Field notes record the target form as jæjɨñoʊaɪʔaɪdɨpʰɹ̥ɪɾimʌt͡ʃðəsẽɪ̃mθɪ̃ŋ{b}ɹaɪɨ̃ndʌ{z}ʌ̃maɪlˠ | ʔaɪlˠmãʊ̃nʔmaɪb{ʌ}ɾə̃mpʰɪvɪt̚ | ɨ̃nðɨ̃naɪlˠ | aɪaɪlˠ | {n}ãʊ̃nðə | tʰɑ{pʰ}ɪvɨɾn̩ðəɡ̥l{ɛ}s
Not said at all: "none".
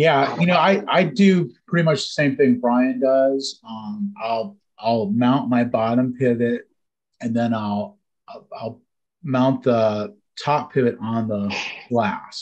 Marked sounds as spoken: b, z, ɑ, m, pʰ, æ

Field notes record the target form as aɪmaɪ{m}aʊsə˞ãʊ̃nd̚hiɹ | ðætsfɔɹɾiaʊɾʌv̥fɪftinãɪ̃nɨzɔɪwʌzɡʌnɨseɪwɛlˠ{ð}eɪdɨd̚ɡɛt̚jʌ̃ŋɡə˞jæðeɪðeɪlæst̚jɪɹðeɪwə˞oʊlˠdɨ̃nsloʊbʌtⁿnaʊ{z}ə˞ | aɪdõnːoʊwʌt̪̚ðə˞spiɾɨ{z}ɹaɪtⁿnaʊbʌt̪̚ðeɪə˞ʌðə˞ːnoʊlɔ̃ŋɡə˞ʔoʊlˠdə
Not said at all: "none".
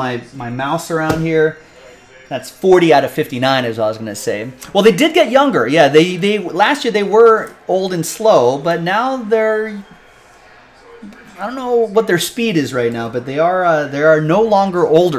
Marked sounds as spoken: m, ð, ð, z

